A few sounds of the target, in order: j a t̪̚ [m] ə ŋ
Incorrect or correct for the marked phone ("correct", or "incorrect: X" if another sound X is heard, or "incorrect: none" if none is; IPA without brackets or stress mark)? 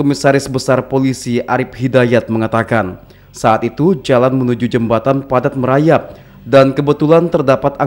correct